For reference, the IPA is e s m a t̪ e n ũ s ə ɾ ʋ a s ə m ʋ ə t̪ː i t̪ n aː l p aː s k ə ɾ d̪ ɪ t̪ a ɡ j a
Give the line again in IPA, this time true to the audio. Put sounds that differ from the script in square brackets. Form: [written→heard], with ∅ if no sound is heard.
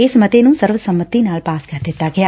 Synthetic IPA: e s m [a→ə] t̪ e n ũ s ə ɾ ʋ [a→ə] s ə m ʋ ə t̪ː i [t̪→∅] n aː l p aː s k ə ɾ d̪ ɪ t̪ a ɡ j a